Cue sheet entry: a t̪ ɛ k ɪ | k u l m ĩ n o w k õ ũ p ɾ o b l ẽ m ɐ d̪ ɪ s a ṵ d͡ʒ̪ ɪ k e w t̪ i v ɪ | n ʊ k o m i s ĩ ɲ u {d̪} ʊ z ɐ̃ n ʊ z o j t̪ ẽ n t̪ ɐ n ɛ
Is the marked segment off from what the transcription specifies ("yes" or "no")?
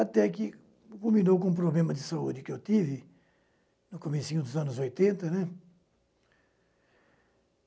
no